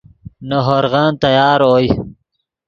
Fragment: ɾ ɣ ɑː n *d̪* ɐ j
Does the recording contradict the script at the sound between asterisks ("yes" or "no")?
yes